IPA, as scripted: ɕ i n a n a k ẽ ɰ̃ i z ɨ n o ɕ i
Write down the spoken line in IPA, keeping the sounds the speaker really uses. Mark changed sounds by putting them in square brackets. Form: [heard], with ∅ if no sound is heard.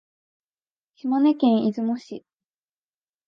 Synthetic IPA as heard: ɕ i [m] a n [e] k ẽ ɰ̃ i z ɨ [m] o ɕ i